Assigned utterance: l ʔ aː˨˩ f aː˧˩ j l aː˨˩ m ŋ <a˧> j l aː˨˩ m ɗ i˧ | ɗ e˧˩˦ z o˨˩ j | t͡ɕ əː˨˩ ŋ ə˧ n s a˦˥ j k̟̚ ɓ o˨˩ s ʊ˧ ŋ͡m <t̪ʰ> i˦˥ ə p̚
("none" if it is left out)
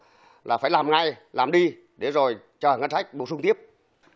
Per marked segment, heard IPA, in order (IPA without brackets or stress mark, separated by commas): a˧, t̪